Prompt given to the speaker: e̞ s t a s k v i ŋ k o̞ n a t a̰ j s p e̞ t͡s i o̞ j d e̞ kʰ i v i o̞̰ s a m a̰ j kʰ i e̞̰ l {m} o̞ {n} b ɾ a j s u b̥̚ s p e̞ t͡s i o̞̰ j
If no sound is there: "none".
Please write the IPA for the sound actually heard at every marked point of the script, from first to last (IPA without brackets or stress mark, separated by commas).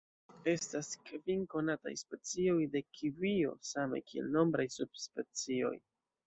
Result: n, m